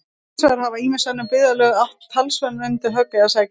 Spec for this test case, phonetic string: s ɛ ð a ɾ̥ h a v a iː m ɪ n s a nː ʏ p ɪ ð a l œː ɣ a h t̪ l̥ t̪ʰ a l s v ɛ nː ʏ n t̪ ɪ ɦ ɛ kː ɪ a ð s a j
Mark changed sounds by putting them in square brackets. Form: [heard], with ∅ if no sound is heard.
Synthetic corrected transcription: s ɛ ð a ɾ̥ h a v a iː m ɪ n s a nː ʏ p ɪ ð a l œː ɣ a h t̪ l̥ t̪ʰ a l s v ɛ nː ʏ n t̪ ɪ ɦ [œ] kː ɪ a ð s a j

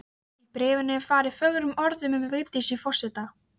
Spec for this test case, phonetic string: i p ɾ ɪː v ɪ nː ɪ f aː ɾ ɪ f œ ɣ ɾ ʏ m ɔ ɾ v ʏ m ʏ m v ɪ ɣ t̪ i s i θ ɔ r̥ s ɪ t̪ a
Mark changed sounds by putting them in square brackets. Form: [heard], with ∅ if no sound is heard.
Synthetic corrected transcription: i p ɾ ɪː v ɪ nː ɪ f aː ɾ ɪ f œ ɣ ɾ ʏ m ɔ ɾ [ð] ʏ m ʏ m v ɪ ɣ t̪ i s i [f] ɔ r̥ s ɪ t̪ a

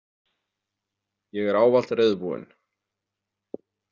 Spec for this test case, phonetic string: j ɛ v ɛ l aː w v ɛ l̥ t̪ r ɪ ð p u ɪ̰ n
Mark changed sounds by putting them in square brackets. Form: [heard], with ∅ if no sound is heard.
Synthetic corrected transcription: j ɛ [ɣ] ɛ [ɾ] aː w v [a] l̥ t̪ r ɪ ð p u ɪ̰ n

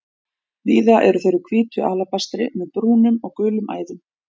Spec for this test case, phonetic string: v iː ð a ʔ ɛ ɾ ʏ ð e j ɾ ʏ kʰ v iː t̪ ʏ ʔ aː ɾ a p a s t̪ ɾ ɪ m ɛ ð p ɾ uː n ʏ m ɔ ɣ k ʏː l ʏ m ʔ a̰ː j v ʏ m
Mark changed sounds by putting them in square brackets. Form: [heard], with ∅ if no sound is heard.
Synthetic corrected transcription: v iː ð a ʔ ɛ ɾ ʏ [θ] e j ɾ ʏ kʰ v iː t̪ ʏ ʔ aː [l] a p a s t̪ ɾ ɪ m ɛ ð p ɾ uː n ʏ m ɔ ɣ k ʏː l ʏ m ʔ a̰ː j [ð] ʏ m

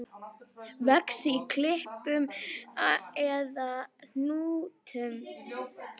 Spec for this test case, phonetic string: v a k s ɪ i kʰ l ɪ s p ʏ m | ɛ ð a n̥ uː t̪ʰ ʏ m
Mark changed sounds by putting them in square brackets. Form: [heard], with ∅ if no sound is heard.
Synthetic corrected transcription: v [ɛ] k s ɪ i kʰ l ɪ [h] p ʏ m | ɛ ð a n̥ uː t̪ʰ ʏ m

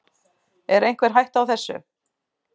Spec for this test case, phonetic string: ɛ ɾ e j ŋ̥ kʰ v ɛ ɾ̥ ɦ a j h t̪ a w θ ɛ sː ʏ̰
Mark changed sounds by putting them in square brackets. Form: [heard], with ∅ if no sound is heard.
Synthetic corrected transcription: ɛ ɾ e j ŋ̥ [k] v ɛ ɾ̥ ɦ a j h t̪ a w θ ɛ sː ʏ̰

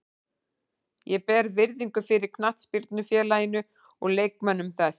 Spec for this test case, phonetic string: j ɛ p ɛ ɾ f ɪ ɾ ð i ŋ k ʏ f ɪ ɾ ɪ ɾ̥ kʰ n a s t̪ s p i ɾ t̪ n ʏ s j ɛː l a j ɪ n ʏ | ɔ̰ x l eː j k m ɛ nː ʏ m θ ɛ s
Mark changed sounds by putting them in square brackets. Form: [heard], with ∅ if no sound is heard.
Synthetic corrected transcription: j ɛ p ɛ ɾ [v] ɪ ɾ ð i ŋ k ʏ f ɪ ɾ ɪ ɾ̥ kʰ n a [h] t̪ s p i ɾ t̪ n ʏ [f] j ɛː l a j ɪ n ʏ | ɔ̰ [ɣ] l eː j k m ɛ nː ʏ m θ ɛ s

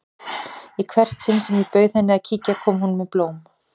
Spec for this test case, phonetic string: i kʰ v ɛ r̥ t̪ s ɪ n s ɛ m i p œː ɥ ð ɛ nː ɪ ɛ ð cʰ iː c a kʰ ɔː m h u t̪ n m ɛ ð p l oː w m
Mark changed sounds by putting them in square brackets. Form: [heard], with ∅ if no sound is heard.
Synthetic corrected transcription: i kʰ v ɛ r̥ t̪ s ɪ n s ɛ m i p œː ɥ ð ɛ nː ɪ [a] ð cʰ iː c a kʰ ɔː m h u [∅] n m ɛ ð p l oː w m

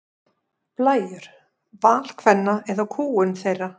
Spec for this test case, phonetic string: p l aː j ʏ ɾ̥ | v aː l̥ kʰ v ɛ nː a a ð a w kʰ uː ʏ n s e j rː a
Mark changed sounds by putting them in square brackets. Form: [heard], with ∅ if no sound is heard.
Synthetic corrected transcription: p l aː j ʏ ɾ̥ | v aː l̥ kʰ v ɛ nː a [ɛ] ð a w kʰ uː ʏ n [θ] e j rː a

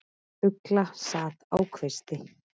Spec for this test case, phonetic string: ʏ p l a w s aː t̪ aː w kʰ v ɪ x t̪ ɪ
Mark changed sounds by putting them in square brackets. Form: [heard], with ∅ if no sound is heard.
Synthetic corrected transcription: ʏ [k] l a [∅] s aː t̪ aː w kʰ v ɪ [s] t̪ ɪ

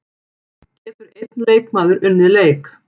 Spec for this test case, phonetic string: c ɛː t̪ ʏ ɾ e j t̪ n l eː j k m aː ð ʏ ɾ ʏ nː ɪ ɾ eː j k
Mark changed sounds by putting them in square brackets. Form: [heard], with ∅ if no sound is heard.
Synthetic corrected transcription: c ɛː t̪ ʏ ɾ e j t̪ n l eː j k m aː ð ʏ ɾ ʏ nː ɪ [l] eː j k

